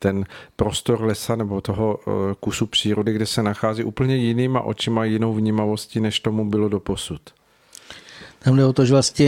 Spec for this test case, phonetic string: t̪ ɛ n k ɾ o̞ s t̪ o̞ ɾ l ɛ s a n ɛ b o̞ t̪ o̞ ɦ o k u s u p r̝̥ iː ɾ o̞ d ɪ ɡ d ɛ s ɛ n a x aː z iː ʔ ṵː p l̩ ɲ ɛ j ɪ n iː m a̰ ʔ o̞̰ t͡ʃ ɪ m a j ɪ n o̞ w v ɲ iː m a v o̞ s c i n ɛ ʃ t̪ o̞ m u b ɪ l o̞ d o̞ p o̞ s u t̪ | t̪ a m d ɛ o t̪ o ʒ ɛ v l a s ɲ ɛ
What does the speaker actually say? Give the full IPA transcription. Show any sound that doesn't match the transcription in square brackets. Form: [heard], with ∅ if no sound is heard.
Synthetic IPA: t̪ ɛ n [p] ɾ o̞ s t̪ o̞ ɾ l ɛ s a n ɛ b o̞ t̪ o̞ ɦ o k u s u p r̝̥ iː ɾ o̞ d ɪ ɡ d ɛ s ɛ n a x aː z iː ʔ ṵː p l̩ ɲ ɛ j ɪ n iː m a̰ ʔ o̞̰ t͡ʃ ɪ m a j ɪ n o̞ w v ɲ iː m a v o̞ s c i n ɛ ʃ t̪ o̞ m u b ɪ l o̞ d o̞ p o̞ s u t̪ | t̪ a m d ɛ o t̪ o ʒ ɛ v l a s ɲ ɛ